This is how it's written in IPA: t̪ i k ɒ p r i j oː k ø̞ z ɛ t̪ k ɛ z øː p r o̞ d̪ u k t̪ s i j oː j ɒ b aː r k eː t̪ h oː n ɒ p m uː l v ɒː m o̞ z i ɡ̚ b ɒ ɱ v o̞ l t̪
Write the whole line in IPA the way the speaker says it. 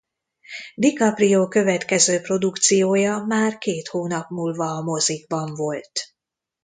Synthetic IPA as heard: d̪ i k ɒ p r i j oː k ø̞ v ɛ t̪ k ɛ z øː p r o̞ d̪ u k t̪ s i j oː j ɒ m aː r k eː t̪ h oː n ɒ p m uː l v ɒː m o̞ z i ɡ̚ b ɒ ɱ v o̞ l t̪